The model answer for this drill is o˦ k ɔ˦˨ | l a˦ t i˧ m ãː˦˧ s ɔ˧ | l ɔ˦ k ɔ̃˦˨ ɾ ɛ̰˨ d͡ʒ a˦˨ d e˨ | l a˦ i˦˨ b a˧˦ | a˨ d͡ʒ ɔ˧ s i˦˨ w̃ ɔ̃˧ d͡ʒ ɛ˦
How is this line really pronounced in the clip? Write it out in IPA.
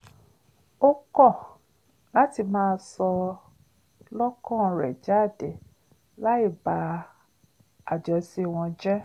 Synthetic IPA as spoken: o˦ k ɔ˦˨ | l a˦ t i˧ m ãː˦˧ s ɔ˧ | l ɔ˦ k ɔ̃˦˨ ɾ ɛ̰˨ d͡ʒ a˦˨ d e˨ | l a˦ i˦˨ b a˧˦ | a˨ d͡ʒ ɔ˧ s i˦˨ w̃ ɔ̃˧ d͡ʒ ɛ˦